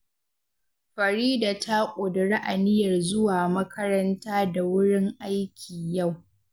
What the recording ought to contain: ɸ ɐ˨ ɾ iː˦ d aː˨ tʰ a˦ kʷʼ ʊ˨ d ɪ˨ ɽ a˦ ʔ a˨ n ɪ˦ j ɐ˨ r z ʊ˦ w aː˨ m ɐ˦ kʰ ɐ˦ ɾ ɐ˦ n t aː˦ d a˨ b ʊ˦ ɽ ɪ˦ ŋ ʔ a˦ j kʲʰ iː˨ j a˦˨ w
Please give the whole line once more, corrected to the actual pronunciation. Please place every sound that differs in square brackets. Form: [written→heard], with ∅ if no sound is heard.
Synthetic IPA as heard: ɸ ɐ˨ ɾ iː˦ d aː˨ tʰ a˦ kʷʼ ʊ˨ d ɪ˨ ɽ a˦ ʔ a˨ n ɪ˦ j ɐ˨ r z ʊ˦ w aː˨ m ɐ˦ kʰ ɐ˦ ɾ ɐ˦ n t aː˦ d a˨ [b→w] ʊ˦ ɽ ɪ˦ ŋ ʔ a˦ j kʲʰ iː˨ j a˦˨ w